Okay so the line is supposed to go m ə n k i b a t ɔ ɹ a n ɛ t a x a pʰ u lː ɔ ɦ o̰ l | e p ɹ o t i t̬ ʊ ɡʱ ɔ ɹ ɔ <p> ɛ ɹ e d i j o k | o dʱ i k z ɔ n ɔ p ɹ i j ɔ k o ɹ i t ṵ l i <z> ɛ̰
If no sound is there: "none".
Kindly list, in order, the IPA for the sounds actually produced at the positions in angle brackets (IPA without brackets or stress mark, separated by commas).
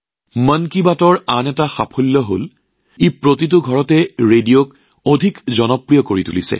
t, s